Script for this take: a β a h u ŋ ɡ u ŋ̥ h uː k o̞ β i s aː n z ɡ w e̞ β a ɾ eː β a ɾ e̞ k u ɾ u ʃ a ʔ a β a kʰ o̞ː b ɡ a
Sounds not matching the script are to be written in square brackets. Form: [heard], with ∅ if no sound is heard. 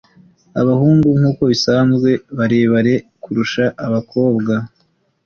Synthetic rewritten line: a β a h [uː] ŋ ɡ u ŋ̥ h uː k o̞ β i s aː n z ɡ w e̞ β a ɾ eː β a ɾ e̞ k u ɾ u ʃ a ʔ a β a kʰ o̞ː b ɡ a